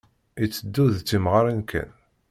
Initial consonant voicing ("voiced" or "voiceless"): voiceless